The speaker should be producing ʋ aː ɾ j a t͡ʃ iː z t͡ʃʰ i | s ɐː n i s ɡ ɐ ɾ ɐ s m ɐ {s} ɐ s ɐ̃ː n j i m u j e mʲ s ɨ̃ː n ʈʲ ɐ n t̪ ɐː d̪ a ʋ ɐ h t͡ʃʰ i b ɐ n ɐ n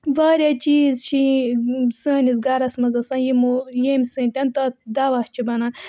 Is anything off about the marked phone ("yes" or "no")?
yes